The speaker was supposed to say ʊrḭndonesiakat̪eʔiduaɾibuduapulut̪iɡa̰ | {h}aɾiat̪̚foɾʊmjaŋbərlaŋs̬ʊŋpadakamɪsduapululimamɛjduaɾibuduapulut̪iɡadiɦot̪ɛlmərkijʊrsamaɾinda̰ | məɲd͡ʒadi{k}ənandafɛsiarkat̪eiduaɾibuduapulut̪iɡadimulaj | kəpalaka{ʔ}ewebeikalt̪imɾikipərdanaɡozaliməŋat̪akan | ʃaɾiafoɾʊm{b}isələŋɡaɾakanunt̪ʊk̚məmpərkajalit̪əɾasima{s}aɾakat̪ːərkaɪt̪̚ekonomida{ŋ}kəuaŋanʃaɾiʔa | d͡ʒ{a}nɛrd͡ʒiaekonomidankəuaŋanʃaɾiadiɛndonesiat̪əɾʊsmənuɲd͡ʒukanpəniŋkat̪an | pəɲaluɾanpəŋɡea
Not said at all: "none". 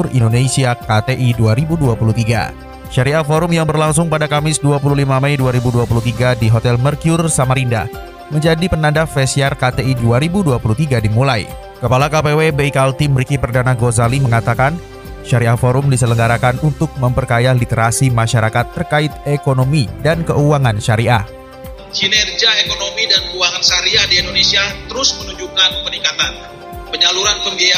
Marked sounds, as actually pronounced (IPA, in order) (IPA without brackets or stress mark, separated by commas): ʃ, p, p, d, ʃ, n, i